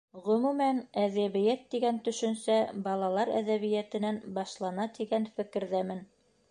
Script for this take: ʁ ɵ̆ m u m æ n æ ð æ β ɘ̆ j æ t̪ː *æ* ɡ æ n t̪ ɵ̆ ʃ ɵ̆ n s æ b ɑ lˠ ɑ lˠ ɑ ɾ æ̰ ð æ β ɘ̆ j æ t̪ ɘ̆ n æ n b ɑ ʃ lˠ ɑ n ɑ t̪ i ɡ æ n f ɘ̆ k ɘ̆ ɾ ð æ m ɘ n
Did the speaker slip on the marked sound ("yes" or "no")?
yes